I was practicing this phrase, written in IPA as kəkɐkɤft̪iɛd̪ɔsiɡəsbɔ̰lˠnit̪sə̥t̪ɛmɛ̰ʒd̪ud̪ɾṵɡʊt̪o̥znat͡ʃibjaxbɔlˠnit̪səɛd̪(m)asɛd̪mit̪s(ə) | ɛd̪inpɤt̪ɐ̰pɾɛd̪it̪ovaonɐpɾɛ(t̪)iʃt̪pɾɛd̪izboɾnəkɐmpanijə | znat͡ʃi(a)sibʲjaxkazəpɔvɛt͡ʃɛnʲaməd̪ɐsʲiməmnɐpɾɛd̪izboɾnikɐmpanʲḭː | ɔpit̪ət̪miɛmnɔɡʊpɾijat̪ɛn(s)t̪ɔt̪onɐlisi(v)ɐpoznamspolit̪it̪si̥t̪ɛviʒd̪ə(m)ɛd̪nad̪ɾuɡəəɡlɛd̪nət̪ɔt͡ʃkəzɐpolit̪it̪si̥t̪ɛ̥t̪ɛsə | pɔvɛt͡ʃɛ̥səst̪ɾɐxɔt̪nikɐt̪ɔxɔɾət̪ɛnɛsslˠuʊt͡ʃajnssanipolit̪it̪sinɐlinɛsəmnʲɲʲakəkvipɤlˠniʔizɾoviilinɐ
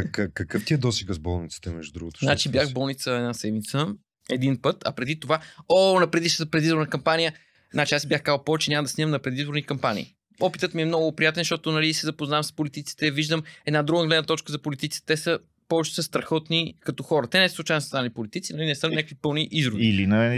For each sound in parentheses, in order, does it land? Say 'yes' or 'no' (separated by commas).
no, yes, no, yes, no, no, yes